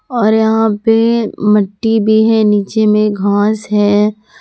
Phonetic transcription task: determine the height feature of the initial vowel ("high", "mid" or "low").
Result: mid